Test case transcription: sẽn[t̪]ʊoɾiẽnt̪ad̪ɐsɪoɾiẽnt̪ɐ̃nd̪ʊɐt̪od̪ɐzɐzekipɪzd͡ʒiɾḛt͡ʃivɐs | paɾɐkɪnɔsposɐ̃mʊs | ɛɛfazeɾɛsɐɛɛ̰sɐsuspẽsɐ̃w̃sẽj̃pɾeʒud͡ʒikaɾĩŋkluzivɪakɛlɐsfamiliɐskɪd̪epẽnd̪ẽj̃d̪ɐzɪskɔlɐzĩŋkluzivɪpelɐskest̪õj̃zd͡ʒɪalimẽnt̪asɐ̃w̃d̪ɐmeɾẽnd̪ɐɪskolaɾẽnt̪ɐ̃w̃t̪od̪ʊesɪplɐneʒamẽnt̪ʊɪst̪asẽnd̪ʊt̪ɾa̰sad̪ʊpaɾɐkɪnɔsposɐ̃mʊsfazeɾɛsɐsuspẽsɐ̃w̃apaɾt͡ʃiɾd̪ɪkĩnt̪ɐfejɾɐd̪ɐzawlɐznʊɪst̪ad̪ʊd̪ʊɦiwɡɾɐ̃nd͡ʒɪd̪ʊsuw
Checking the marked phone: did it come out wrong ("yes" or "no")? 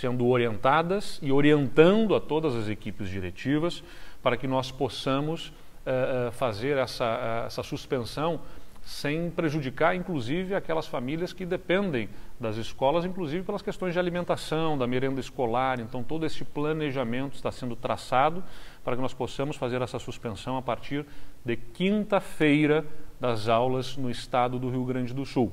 yes